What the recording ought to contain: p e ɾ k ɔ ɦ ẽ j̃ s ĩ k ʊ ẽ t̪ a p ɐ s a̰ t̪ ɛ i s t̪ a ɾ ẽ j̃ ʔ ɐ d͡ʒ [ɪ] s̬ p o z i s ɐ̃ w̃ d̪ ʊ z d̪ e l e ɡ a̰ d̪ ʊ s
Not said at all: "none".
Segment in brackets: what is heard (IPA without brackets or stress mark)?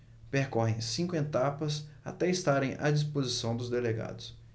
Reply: i